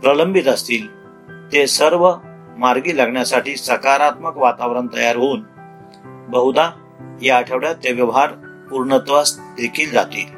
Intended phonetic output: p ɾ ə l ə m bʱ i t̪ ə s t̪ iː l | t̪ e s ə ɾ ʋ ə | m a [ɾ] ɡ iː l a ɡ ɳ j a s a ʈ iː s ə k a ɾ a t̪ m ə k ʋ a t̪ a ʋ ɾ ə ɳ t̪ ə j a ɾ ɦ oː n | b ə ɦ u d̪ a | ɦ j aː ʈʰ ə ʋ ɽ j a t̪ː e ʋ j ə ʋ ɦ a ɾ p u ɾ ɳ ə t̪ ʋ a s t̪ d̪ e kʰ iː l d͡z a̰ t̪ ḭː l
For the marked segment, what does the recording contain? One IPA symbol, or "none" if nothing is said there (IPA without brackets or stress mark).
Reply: ɾ